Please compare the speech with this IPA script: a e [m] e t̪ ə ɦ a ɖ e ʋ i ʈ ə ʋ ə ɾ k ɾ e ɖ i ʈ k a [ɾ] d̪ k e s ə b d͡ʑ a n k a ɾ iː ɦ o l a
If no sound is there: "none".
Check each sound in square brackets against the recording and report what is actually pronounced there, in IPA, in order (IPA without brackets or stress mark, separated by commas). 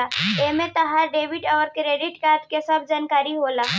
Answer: m, ɾ